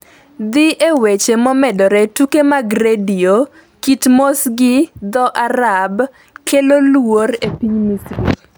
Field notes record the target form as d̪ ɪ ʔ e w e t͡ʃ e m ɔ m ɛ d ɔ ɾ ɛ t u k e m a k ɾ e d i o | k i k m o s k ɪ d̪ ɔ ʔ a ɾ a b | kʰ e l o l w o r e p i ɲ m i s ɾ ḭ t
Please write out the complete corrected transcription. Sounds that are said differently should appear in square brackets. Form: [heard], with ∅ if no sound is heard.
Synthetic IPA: d̪ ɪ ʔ e w e t͡ʃ e m ɔ m ɛ d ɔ ɾ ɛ t u k e m a [ɡ] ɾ e d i o | k i [t] m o s [ɡ] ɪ d̪ ɔ ʔ a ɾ a b | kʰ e l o l w o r e p i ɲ m i s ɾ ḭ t